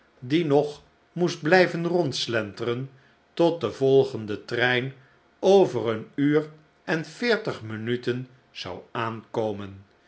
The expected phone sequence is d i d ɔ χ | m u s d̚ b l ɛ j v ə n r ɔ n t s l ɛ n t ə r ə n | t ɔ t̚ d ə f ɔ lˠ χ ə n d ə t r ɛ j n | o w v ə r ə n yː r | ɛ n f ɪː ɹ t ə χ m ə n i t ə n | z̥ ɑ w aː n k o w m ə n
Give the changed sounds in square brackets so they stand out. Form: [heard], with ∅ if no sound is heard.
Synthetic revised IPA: d i [n] ɔ χ | m u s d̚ b l ɛ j v ə n r ɔ n t s l ɛ n t ə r ə n | t ɔ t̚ d ə [v] ɔ lˠ χ ə n d ə t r ɛ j n | o w v ə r ə n yː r | ɛ n f ɪː ɹ t ə χ m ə n [y] t ə n | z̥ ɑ w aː n k o w m ə n